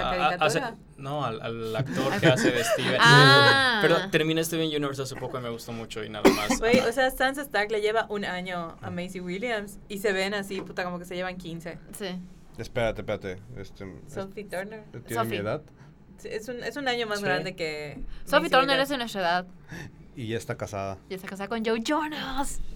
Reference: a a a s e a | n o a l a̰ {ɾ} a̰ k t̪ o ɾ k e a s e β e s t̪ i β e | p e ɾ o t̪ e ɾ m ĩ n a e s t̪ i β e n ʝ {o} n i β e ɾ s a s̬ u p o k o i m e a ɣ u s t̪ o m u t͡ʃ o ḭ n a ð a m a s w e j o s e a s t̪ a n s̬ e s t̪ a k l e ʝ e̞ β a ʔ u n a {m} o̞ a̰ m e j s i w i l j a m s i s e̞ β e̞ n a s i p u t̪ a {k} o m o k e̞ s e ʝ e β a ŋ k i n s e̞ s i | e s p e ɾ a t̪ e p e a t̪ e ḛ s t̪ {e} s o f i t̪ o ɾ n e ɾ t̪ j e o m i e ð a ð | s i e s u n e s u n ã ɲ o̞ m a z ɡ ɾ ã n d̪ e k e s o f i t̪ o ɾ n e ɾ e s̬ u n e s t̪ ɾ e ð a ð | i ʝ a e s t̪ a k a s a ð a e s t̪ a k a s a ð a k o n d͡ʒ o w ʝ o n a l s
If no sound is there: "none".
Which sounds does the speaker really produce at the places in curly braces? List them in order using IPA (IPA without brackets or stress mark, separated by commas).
l, u, ɲ, k, e